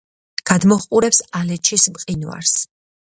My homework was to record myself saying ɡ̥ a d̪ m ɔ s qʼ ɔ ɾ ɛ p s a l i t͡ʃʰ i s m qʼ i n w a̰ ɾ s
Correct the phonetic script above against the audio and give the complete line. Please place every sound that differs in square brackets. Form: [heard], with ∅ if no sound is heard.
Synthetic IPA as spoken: ɡ̥ a d̪ m ɔ [χ] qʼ [u] ɾ ɛ p s a l [ɛ] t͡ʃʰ i s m qʼ i n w a̰ ɾ s